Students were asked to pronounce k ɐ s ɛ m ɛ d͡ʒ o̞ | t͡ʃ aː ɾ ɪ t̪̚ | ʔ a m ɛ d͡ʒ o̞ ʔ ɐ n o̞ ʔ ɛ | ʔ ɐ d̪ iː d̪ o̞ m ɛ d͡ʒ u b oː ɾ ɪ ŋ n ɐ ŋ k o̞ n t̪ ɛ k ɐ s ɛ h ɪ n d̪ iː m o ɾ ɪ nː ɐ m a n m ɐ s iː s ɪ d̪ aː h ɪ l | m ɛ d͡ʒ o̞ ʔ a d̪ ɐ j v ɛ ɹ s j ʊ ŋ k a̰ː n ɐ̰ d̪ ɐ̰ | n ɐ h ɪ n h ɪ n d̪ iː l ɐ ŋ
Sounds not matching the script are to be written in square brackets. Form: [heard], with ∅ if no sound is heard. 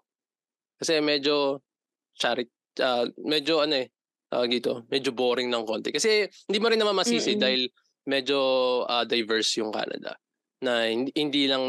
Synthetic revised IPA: k ɐ s ɛ m ɛ d͡ʒ o̞ | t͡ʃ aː ɾ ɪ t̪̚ | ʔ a m ɛ d͡ʒ o̞ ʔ ɐ n o̞ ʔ ɛ | ʔ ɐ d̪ iː [t̪] o̞ m ɛ d͡ʒ [o] b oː ɾ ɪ ŋ n ɐ ŋ k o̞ n t̪ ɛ k ɐ s ɛ h ɪ n d̪ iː m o ɾ ɪ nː ɐ m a n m ɐ s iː s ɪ d̪ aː h ɪ l | m ɛ d͡ʒ o̞ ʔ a d̪ ɐ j v ɛ ɹ s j ʊ ŋ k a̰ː n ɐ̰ d̪ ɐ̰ | n ɐ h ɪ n h ɪ n d̪ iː l ɐ ŋ